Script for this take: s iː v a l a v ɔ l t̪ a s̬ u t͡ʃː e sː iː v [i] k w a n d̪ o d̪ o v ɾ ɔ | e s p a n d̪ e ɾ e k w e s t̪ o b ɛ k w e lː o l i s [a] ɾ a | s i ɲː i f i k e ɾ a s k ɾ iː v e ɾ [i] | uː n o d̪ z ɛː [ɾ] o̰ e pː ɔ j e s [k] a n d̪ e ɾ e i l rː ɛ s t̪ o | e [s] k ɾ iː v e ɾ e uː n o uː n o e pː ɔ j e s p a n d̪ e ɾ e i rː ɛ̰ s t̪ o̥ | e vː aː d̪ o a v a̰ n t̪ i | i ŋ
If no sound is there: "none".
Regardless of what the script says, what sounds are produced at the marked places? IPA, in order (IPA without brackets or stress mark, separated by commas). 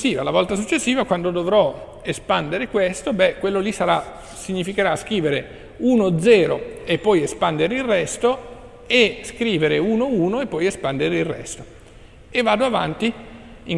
a, a, e, ɾ, p, s